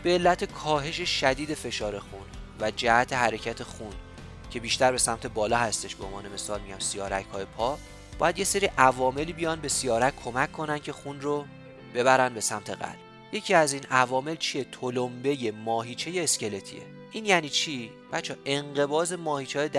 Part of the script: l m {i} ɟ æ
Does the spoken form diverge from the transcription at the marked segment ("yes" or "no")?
no